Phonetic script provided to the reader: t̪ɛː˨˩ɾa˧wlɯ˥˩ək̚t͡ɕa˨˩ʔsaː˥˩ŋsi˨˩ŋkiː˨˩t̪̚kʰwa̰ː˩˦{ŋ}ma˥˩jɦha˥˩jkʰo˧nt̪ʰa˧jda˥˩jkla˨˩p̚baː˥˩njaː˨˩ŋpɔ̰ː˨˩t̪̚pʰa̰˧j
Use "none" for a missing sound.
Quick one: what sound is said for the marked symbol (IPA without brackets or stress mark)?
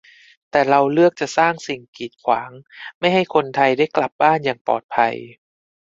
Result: ŋ